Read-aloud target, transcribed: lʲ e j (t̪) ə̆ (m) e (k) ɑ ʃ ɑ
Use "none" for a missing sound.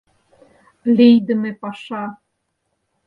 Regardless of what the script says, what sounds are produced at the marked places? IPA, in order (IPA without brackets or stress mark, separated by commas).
d̪, m, p